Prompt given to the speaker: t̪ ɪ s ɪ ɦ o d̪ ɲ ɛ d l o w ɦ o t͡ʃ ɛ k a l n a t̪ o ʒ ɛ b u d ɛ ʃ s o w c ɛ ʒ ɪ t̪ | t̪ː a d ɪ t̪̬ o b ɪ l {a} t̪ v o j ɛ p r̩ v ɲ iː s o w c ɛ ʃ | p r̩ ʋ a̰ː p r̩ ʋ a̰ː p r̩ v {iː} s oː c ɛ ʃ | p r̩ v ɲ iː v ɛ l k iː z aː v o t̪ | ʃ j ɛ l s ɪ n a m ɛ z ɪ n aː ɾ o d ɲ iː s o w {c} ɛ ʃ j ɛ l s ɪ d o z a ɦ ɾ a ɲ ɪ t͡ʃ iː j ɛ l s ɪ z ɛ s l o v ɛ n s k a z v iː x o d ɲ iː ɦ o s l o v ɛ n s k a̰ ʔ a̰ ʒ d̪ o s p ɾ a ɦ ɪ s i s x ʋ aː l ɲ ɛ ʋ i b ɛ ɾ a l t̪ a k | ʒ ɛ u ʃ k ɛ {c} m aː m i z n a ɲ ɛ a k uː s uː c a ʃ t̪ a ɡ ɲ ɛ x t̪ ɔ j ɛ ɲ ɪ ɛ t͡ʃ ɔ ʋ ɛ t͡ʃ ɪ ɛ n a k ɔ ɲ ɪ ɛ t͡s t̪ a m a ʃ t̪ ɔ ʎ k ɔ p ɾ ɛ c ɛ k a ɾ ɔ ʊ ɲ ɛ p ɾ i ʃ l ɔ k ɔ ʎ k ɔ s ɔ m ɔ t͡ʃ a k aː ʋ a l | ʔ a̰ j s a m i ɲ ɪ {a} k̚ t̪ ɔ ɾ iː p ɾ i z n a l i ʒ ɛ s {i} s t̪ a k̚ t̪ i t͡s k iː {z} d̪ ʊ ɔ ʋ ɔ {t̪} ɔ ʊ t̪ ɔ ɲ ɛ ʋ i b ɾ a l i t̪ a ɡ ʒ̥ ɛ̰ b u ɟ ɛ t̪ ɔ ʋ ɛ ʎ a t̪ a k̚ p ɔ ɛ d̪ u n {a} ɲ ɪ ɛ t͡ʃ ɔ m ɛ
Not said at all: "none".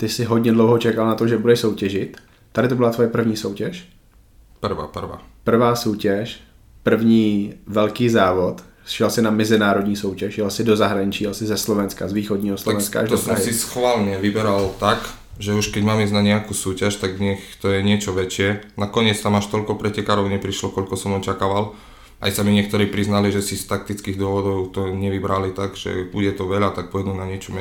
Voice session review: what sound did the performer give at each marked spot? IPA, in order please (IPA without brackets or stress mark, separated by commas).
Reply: a, aː, c, ɟ, ɛ, i, ɣ, d̪, a